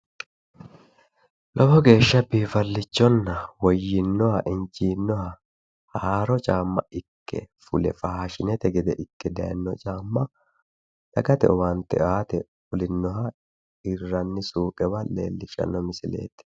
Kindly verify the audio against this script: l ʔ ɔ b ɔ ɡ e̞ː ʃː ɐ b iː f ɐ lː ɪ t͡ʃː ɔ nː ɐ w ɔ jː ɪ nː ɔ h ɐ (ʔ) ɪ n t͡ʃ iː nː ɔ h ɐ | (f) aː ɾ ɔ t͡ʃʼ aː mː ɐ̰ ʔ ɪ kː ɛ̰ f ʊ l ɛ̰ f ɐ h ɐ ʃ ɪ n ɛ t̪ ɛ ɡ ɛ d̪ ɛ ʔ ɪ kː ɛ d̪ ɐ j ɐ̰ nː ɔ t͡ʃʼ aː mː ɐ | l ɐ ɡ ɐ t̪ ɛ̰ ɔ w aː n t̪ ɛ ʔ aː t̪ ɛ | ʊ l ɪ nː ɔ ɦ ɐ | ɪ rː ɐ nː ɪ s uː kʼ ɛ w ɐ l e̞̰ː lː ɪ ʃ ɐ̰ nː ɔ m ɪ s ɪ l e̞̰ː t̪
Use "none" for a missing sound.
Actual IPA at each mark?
ʔ, h

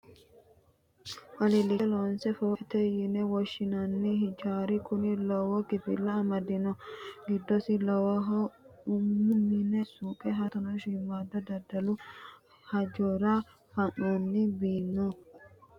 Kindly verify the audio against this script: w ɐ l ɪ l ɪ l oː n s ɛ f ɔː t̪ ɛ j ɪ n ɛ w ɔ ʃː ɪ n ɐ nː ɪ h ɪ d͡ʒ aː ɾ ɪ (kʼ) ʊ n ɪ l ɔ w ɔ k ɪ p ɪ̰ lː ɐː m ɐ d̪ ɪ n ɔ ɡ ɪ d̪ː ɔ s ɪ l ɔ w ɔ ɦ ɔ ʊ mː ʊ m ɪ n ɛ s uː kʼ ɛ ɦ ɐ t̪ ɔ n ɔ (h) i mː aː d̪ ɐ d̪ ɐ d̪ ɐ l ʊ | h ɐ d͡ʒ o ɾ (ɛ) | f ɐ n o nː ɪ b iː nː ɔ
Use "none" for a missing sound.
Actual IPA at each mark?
k, ʃ, a

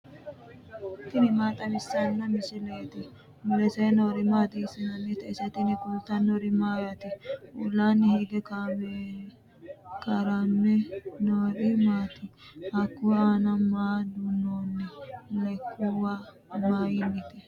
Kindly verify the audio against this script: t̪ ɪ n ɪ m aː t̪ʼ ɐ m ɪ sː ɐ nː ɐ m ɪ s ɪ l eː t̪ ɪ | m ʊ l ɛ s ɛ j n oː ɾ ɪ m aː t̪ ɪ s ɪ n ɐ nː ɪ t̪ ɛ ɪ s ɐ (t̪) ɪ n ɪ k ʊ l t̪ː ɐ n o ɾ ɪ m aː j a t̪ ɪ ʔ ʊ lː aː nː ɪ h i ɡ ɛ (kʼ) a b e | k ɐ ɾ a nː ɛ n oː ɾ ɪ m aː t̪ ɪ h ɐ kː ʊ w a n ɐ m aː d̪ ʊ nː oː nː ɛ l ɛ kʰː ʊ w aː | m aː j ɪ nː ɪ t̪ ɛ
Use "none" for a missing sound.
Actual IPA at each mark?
t̪, k

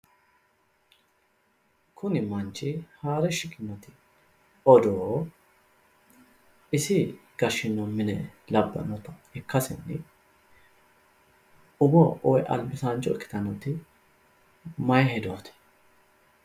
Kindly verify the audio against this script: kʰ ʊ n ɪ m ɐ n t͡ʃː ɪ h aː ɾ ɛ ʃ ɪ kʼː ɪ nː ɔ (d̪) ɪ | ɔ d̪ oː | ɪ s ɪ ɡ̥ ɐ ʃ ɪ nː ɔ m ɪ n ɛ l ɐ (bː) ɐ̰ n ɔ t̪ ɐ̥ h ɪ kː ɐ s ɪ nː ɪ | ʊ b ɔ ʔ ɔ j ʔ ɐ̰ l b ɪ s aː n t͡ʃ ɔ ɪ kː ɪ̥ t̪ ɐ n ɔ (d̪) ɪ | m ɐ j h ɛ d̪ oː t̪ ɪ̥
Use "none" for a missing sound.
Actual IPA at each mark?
t̪, bː, t̪

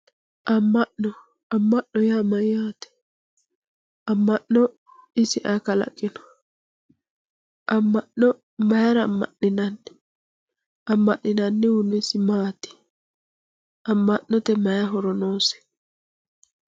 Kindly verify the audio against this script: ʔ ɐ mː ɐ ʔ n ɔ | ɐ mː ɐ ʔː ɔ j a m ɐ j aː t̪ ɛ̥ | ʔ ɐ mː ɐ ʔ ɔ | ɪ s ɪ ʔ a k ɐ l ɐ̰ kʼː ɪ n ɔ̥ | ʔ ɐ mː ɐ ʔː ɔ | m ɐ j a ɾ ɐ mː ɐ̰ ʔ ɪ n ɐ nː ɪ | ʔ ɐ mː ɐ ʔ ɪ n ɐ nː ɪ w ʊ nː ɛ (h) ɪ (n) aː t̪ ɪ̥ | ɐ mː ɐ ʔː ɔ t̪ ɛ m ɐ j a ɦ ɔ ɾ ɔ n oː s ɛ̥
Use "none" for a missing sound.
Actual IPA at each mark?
s, m

